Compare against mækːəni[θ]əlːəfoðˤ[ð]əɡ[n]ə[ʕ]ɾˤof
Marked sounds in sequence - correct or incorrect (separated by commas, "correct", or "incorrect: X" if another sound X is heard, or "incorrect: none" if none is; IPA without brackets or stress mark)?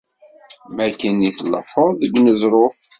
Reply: correct, correct, correct, incorrect: z